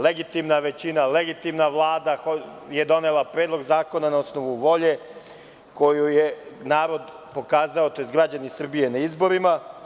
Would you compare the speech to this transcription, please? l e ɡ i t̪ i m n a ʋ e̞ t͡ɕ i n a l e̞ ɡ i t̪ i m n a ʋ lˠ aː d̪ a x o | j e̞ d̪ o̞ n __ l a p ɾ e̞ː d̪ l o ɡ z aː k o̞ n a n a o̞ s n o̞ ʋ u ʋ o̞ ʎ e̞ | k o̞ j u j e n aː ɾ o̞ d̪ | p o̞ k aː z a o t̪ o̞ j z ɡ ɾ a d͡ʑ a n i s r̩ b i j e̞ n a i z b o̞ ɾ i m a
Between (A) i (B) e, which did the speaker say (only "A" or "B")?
B